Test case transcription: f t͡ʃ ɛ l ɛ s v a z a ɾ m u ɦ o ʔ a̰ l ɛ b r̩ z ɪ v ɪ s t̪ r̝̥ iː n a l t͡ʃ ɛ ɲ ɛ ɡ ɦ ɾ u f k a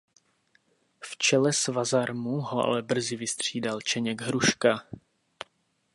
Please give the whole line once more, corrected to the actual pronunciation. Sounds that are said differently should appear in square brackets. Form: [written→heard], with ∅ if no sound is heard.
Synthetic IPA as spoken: f t͡ʃ ɛ l ɛ s v a z a ɾ m u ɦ o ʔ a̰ l ɛ b r̩ z ɪ v ɪ s t̪ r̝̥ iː [n→d] a l t͡ʃ ɛ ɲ ɛ ɡ ɦ ɾ u [f→ʃ] k a